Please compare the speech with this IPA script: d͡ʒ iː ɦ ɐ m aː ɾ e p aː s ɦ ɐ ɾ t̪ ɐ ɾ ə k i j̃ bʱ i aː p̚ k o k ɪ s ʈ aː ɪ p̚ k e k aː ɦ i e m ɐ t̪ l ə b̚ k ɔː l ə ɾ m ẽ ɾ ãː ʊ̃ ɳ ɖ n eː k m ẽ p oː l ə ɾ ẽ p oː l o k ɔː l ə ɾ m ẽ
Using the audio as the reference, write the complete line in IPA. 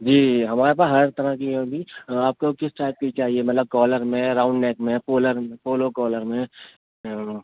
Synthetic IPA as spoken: d͡ʒ iː ɦ ɐ m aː ɾ e p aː s ɦ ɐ ɾ t̪ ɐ ɾ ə k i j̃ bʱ i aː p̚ k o k ɪ s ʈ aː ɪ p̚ k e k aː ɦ i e m ɐ t̪ l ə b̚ k ɔː l ə ɾ m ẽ ɾ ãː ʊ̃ ɳ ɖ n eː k m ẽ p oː l ə ɾ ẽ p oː l o k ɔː l ə ɾ m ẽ